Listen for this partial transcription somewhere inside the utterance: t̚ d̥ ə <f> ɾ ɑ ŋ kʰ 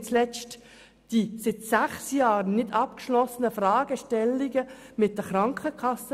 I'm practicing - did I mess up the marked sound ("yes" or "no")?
yes